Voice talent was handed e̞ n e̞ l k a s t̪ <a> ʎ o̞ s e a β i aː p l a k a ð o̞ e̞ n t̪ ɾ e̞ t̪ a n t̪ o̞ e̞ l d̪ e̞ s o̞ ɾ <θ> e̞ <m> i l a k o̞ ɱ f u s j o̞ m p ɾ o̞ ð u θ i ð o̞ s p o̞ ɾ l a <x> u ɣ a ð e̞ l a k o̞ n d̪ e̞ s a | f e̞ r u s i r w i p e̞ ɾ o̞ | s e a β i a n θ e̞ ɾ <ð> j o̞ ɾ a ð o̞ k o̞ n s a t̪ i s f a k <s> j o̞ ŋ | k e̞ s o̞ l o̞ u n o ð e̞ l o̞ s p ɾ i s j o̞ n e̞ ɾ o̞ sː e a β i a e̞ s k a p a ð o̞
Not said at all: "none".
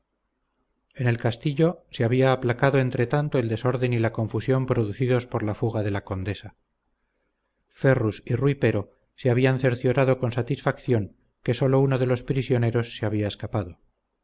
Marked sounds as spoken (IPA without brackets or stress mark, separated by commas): i, ð, n, f, θ, θ